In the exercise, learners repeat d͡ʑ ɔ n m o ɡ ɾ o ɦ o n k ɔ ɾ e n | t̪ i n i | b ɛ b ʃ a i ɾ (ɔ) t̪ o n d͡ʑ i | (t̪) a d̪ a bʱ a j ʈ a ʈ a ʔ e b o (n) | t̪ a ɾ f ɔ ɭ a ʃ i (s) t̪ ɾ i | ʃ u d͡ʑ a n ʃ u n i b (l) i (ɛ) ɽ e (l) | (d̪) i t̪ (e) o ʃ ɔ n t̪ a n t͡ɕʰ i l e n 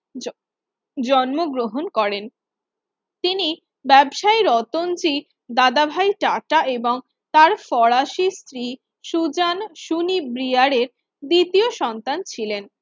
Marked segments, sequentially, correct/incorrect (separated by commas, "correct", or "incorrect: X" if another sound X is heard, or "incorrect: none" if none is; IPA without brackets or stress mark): correct, incorrect: d̪, incorrect: ŋ, correct, incorrect: ɾ, incorrect: a, incorrect: ɾ, correct, incorrect: i